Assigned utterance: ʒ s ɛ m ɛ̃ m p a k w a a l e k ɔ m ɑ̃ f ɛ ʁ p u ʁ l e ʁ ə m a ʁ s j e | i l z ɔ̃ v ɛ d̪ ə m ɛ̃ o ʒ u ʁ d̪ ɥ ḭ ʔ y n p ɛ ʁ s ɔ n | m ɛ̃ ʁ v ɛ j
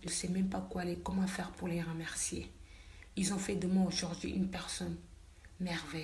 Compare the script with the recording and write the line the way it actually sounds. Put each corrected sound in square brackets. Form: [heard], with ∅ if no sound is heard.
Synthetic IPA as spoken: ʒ s ɛ m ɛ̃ m p a k w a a l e k ɔ m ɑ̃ f ɛ ʁ p u ʁ l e ʁ ə m [ɛ] ʁ s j e | i l z ɔ̃ [f] ɛ d̪ ə m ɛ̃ o ʒ u ʁ d̪ ɥ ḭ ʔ y n p ɛ ʁ s ɔ n | m [ɛ] ʁ v ɛ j